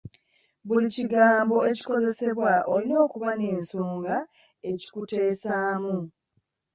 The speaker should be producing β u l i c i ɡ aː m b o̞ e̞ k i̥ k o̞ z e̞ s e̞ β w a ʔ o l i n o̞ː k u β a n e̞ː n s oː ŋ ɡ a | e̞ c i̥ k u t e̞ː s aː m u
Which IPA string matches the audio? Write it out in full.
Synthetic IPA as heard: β u l i c i ɡ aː m b o̞ e̞ c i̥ k o̞ z e̞ s e̞ β w a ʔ o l i n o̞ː k u β a n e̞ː n s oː ŋ ɡ a | e̞ c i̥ k u t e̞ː s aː m u